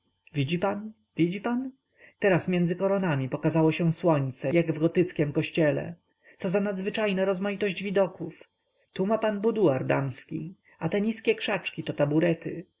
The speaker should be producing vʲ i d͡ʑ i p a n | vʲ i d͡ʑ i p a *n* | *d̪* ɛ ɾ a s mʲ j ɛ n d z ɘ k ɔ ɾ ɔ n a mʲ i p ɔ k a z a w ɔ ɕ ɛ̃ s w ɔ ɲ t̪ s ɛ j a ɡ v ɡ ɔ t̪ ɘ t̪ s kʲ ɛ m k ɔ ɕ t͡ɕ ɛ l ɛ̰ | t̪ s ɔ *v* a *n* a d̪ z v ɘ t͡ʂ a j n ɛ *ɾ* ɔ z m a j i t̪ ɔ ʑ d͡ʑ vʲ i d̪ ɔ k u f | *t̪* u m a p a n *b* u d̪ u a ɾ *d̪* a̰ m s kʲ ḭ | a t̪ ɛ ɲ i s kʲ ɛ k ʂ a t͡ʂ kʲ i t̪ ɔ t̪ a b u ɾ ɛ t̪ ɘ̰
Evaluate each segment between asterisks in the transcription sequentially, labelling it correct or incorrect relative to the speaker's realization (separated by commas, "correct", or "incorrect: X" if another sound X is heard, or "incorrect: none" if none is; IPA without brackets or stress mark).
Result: correct, incorrect: t̪, incorrect: z, correct, correct, correct, correct, correct